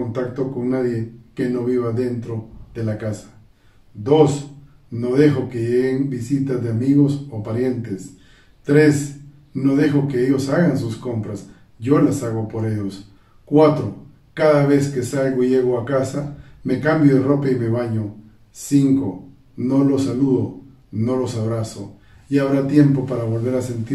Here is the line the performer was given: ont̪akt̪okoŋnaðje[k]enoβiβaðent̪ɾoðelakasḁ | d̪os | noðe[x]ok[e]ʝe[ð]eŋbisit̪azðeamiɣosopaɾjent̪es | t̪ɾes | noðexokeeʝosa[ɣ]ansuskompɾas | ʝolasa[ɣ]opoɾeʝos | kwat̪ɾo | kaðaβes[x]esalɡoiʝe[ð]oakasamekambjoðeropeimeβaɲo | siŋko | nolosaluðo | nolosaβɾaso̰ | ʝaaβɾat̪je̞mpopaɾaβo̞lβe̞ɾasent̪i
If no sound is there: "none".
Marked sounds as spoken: k, x, e, ɣ, ɣ, ɣ, k, ɣ

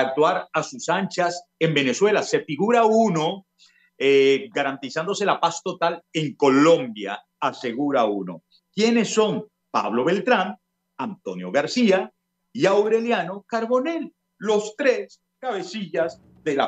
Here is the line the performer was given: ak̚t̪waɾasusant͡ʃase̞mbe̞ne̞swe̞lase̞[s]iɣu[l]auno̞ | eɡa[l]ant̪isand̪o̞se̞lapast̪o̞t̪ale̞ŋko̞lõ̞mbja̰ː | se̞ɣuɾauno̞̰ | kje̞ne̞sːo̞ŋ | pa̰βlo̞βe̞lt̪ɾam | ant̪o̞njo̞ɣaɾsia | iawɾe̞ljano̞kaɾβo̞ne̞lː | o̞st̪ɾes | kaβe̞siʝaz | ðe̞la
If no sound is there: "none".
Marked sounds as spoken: f, ɾ, ɾ

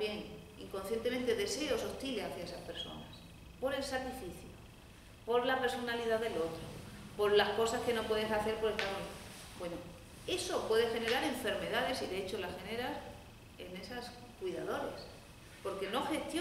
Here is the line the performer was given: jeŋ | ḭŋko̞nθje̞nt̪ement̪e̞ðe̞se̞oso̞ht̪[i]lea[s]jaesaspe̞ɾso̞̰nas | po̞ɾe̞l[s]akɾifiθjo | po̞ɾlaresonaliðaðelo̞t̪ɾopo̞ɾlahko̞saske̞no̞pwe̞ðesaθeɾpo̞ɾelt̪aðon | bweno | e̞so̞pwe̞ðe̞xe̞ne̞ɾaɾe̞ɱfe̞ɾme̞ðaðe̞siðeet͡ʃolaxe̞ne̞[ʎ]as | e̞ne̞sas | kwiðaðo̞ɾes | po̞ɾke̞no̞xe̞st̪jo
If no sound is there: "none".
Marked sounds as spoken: i, θ, s, ɾ

